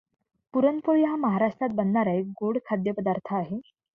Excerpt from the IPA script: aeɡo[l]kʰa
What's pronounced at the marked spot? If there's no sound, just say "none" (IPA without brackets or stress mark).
ɽ